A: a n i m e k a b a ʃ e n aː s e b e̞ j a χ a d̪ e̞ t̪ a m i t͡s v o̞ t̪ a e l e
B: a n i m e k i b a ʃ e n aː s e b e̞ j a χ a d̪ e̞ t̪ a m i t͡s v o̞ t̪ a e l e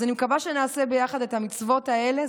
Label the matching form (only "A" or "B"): A